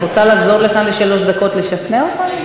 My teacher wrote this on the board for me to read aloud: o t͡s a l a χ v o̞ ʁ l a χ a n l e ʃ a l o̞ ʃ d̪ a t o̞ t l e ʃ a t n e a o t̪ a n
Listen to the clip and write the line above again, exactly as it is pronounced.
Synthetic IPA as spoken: o t͡s a l a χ z o̞ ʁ l e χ a n l e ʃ a l o̞ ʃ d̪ a k o̞ t l e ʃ a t n e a o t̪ a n